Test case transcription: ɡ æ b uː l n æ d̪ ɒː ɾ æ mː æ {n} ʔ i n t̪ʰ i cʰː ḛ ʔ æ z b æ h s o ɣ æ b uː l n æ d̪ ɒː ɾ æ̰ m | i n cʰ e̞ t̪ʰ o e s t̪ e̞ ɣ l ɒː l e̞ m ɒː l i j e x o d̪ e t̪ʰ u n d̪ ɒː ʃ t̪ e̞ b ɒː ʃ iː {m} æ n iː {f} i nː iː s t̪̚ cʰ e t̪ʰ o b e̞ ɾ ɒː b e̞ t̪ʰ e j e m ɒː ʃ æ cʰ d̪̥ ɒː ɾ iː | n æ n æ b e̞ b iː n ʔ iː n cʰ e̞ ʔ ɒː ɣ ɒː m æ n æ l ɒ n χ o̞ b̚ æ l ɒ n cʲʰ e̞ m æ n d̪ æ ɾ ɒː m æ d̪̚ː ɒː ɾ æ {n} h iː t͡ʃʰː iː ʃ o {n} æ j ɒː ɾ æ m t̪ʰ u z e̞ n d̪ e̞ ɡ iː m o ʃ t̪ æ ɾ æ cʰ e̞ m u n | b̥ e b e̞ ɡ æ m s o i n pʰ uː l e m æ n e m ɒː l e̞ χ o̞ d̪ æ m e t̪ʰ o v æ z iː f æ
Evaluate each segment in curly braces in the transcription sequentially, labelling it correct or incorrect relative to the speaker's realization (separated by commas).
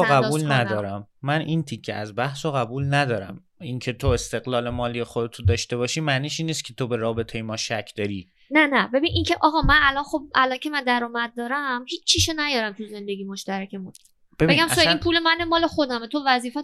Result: correct, correct, incorrect, incorrect, correct